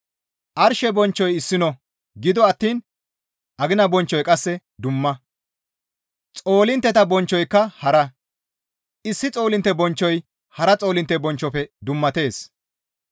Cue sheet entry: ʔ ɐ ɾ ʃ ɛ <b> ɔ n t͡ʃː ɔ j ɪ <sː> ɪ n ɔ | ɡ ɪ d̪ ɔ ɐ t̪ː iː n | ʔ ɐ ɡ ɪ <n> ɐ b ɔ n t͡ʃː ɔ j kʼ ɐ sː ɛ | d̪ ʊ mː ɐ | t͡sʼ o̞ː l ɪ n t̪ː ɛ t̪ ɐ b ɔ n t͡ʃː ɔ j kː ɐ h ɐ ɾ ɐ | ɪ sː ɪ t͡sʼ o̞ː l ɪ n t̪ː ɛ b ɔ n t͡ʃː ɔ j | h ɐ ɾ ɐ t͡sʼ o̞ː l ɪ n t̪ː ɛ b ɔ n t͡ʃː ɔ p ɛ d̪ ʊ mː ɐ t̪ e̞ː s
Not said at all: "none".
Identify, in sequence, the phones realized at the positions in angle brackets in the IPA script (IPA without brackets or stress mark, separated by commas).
b, sː, n